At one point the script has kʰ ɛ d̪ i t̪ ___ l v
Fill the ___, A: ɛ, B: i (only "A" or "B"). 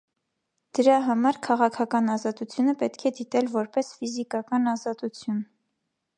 A